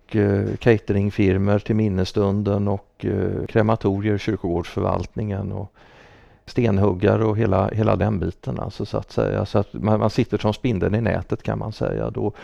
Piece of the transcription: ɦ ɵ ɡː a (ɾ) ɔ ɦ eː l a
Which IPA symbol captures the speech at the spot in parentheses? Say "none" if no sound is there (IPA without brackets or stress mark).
ɾ